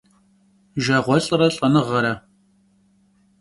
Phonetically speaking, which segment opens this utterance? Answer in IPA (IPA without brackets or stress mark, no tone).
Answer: ʒ